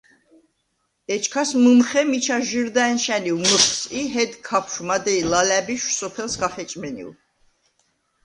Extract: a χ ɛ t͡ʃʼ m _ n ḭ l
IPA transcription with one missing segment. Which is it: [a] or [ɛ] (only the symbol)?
ɛ